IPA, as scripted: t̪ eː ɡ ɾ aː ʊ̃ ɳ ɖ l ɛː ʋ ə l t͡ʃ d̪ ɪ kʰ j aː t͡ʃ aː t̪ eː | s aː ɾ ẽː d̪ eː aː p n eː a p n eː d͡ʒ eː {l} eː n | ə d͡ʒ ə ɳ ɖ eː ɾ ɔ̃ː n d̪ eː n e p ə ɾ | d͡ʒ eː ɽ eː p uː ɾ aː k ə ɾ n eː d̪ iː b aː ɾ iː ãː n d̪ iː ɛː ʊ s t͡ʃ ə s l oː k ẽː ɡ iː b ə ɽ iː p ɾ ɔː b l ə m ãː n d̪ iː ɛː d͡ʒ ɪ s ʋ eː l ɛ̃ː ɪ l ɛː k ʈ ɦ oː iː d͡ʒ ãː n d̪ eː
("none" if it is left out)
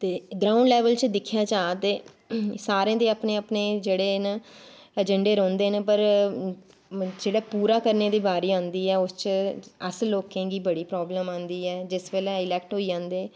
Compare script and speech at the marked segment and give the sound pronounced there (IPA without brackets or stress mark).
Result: ɽ